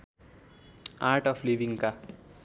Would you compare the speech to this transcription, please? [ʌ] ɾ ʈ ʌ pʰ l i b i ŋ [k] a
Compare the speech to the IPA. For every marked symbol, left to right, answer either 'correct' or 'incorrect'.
incorrect, correct

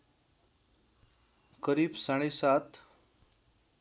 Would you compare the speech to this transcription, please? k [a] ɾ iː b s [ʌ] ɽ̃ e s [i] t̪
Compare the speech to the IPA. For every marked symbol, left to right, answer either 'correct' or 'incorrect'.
incorrect, incorrect, incorrect

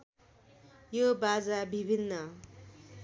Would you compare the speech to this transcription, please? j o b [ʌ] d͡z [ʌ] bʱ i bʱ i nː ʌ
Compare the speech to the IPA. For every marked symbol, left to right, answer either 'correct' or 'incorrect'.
incorrect, incorrect

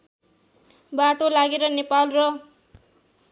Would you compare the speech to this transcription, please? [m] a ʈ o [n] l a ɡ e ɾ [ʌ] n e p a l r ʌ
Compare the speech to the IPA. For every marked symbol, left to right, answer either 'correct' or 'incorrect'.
incorrect, incorrect, correct

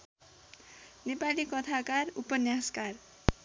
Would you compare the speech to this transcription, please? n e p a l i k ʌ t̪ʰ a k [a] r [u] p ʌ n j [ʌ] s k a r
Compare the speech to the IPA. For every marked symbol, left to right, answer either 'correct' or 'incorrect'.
correct, correct, incorrect

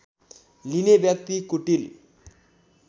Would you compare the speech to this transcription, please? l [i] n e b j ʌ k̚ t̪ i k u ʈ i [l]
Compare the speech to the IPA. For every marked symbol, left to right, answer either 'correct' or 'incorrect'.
correct, correct

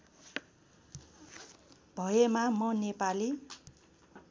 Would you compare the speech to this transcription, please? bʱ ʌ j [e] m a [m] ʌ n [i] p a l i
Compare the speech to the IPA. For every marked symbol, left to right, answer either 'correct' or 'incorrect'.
correct, correct, incorrect

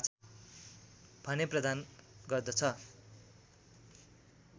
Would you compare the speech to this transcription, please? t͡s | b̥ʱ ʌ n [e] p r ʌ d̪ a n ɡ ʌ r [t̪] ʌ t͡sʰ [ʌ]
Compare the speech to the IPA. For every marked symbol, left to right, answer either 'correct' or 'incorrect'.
correct, incorrect, correct

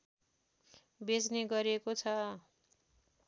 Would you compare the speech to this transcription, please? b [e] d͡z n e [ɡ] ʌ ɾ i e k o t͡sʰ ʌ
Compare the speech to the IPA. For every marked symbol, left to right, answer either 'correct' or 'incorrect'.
correct, correct

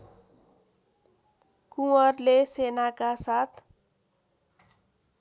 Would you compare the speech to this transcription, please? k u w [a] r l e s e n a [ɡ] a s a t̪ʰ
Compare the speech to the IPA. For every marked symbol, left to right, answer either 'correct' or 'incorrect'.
incorrect, incorrect

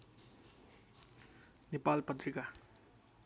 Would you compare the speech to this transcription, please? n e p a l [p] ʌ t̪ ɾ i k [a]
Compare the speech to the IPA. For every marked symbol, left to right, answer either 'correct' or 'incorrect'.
correct, correct

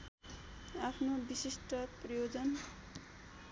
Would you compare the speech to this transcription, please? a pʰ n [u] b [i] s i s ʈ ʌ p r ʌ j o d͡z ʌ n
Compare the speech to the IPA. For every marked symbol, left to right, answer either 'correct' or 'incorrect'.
incorrect, correct

